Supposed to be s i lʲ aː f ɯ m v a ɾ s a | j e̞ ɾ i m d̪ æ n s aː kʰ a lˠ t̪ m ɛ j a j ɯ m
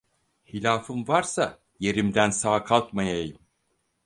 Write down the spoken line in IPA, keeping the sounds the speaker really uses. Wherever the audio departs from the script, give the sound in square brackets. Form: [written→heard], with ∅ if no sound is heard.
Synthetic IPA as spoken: [s→h] i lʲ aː f ɯ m v a ɾ s a | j e̞ ɾ i m d̪ æ n s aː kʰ a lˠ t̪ m [ɛ→a] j a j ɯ m